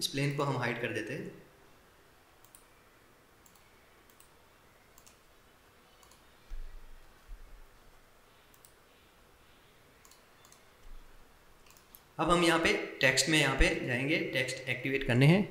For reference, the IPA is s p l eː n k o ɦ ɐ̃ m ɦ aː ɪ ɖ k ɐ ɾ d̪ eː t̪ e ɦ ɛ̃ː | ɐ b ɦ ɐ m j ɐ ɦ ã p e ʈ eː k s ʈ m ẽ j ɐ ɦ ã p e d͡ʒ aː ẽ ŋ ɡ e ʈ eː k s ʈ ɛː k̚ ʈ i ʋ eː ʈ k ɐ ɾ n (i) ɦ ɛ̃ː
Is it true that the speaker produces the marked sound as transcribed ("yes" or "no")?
no